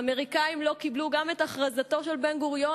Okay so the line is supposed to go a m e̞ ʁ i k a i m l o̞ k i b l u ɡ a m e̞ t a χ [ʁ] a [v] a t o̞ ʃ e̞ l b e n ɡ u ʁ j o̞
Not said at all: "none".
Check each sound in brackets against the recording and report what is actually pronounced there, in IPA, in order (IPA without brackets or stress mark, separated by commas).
ʁ, z